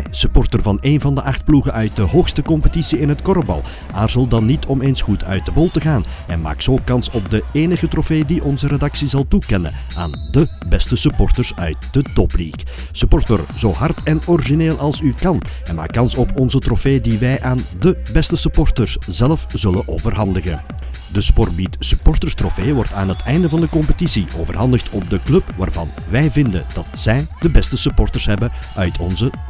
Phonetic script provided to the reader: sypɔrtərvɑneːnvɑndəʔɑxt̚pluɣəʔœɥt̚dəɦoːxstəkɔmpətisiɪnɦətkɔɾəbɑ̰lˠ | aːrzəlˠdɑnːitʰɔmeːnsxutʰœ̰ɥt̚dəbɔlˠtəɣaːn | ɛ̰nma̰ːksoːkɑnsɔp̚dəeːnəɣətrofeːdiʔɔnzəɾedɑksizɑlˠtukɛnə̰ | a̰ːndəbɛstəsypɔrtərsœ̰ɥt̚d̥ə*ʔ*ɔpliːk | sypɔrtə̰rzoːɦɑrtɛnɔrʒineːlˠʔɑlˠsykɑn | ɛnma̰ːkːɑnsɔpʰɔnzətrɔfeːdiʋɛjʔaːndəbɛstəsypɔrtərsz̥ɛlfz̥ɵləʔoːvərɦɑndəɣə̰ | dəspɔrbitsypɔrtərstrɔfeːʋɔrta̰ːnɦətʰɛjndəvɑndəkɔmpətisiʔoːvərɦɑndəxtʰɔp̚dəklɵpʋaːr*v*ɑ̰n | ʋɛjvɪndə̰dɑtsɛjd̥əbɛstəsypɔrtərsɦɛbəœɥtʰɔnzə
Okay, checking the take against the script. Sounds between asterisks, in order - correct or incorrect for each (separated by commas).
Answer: incorrect, correct